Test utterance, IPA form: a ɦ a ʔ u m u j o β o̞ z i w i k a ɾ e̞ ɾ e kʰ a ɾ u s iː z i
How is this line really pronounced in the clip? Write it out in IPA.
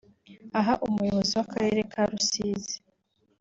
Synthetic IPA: a ɦ a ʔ u m u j o β o̞ z i w a k a ɾ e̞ ɾ e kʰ a ɾ u s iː z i